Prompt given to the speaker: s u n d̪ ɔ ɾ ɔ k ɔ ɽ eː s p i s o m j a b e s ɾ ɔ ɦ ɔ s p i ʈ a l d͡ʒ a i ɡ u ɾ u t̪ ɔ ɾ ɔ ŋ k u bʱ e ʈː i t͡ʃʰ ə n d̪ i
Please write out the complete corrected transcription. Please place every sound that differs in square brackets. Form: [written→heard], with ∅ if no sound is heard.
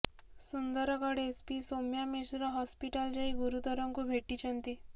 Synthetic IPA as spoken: s u n d̪ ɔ ɾ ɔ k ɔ ɽ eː s p i s o m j a [b→m] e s ɾ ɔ ɦ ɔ s p i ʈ a l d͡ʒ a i ɡ u ɾ u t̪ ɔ ɾ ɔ ŋ k u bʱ e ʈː i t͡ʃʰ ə n [d̪→t̪] i